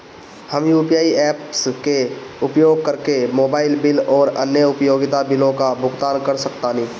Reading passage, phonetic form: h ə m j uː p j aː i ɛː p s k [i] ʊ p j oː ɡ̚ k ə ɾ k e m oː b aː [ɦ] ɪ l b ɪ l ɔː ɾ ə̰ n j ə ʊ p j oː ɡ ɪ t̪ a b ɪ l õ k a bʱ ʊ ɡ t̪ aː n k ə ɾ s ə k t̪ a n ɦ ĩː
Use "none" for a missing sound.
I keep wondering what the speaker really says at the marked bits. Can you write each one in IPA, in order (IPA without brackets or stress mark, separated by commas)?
e, none